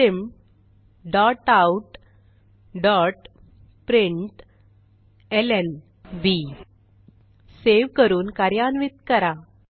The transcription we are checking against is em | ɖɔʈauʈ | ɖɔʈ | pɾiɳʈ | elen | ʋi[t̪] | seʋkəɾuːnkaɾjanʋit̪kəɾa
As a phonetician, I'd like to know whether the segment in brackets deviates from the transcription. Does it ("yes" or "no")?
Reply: yes